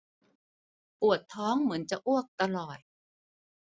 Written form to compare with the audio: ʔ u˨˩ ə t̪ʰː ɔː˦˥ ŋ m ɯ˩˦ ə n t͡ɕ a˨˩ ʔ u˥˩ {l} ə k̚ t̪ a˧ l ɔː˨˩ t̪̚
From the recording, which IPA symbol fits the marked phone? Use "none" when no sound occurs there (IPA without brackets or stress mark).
none